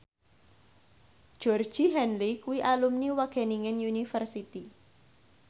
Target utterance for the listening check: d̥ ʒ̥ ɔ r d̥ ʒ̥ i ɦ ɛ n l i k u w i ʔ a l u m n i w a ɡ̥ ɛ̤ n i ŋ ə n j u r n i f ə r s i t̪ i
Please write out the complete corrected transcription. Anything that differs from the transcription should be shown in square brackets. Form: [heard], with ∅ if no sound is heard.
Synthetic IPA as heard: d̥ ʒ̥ ɔ r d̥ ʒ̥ i ɦ ɛ n l i k u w i ʔ a l u m n i w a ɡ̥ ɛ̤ n i ŋ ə n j u [∅] n i f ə r s i t̪ i

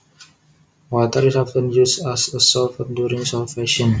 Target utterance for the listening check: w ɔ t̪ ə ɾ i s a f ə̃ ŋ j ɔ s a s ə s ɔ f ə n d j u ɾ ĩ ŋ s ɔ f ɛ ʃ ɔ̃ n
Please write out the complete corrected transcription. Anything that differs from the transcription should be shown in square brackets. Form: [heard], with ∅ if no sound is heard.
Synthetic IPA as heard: w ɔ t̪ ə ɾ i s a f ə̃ [n] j [u] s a s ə s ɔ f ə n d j u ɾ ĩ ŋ s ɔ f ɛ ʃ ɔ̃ n

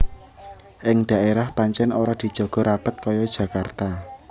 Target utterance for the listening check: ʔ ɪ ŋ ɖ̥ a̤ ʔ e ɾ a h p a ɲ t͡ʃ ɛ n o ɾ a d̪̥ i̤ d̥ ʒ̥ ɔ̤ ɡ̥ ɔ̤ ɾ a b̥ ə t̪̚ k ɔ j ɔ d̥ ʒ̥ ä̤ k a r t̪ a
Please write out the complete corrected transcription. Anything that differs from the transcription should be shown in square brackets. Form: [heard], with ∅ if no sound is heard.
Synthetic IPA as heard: ʔ ɪ ŋ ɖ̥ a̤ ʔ e ɾ a h p a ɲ t͡ʃ ɛ n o ɾ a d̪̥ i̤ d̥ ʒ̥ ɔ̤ ɡ̥ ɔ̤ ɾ a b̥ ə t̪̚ k ɔ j ɔ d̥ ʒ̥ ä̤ k a r t̪ a

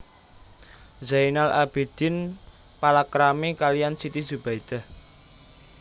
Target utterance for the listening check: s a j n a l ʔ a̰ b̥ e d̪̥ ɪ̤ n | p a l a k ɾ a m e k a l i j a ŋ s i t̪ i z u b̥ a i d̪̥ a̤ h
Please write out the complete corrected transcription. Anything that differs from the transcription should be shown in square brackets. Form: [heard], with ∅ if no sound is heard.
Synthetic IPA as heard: [z] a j n a l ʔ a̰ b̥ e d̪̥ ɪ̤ n | p a l a k ɾ a m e k a l i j a [n] s i t̪ i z u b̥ a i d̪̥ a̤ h

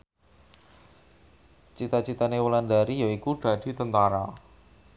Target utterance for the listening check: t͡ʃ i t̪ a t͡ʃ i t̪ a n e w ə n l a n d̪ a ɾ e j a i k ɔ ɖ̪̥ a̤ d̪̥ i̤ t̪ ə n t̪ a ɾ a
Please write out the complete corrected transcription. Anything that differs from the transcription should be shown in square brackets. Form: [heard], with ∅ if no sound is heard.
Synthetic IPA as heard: t͡ʃ i t̪ a t͡ʃ i t̪ a n e w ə [∅] l a n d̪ a ɾ [i] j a i k [u] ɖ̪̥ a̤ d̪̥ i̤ t̪ ə n t̪ a ɾ a

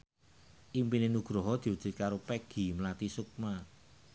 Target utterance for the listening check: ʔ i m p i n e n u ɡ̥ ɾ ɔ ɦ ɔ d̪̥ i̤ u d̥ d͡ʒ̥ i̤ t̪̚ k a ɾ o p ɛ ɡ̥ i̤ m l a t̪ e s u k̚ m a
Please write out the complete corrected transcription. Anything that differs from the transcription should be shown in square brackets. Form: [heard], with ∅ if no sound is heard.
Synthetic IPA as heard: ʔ i m p i n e n u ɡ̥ ɾ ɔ ɦ ɔ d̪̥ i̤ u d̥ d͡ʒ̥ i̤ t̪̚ k a ɾ o p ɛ ɡ̥ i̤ m l a t̪ [i] s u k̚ m a

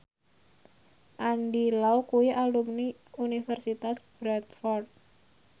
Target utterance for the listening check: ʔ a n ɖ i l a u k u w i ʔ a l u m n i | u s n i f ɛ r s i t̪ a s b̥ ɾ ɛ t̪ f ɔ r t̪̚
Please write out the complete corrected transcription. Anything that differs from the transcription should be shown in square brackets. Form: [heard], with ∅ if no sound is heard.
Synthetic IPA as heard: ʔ a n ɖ i l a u k u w i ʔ a l u m n i | u [∅] n i f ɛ r s i t̪ a s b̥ ɾ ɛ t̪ f ɔ r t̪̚

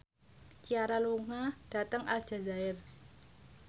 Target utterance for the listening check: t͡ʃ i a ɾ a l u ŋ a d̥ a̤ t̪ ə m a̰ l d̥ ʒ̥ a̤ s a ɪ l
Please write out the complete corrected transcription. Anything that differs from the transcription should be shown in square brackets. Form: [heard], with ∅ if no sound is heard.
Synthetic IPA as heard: t͡ʃ i a ɾ a l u ŋ a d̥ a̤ t̪ ə [ŋ] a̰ l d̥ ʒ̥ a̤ [z] a ɪ [r]

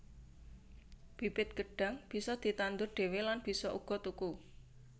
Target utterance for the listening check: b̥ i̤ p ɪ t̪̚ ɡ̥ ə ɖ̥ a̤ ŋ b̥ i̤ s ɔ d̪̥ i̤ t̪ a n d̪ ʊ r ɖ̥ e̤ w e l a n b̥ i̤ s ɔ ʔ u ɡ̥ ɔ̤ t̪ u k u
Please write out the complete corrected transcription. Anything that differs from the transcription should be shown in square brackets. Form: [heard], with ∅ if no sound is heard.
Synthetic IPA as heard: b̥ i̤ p ɪ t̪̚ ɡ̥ ə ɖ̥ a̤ ŋ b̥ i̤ s ɔ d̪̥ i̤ t̪ a n d̪ ʊ r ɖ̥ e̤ w e l a n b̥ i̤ s ɔ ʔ u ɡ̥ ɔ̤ t̪ u k u

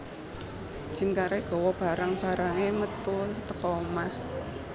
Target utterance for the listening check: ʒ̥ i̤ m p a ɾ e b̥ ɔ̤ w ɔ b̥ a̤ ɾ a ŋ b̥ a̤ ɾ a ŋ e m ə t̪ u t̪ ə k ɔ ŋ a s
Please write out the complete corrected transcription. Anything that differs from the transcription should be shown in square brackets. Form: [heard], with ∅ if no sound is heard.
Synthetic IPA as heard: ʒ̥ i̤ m [k] a ɾ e [ɡ̥] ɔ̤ w ɔ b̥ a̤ ɾ a ŋ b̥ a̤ ɾ a ŋ e m ə t̪ u t̪ ə k ɔ [m] a [h]

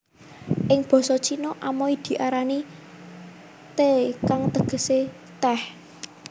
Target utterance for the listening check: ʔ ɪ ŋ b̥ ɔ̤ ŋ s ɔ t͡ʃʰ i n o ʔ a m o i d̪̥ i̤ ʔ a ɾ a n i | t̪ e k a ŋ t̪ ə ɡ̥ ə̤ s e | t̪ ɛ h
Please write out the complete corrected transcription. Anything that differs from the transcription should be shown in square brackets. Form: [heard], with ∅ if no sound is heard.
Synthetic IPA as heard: ʔ ɪ ŋ b̥ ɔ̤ [∅] s ɔ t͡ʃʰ i n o ʔ a m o i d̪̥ i̤ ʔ a ɾ a n i | t̪ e k a ŋ t̪ ə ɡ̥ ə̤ s e | t̪ ɛ h

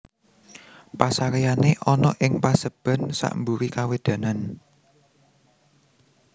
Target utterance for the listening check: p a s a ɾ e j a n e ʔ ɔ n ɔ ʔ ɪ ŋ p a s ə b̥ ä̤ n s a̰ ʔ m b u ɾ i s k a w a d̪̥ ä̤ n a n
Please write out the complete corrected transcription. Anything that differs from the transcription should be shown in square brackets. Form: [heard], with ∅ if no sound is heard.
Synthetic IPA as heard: p a s a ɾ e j a n e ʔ ɔ n ɔ ʔ ɪ ŋ p a s ə b̥ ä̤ n s a̰ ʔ m b u ɾ i [∅] k a w [e] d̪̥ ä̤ n a n

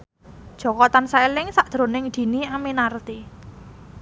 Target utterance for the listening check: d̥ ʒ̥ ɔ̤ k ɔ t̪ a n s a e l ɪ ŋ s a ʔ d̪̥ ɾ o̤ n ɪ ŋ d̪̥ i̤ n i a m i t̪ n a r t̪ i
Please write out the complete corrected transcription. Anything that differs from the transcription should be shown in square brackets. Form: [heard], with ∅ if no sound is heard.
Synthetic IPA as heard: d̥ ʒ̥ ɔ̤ k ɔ t̪ a n s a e l ɪ ŋ s a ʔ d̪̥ ɾ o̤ n ɪ ŋ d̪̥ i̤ n i a m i [∅] n a r t̪ i

